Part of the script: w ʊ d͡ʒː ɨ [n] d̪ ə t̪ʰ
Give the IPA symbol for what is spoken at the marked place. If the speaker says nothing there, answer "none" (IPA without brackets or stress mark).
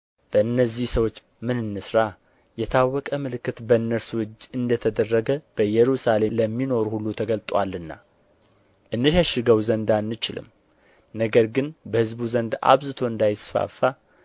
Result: n